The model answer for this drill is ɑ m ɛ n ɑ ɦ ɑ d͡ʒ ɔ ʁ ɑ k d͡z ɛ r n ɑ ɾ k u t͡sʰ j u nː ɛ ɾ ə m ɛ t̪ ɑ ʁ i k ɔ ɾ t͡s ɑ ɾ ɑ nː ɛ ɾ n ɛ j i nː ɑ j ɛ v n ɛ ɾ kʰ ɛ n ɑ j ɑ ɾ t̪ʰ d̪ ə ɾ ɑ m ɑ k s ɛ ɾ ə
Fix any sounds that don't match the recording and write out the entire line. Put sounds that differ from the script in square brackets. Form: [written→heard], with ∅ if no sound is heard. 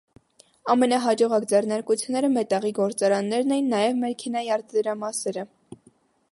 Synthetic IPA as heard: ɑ m ɛ n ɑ ɦ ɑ d͡ʒ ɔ ʁ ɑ k d͡z ɛ r n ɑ ɾ k u t͡sʰ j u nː ɛ ɾ ə m ɛ t̪ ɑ ʁ i [k→ɡ] ɔ ɾ t͡s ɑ ɾ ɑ nː ɛ ɾ n ɛ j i nː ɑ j ɛ v [n→m] ɛ ɾ kʰ ɛ n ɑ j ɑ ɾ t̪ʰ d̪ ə ɾ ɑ m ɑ [k→∅] s ɛ ɾ ə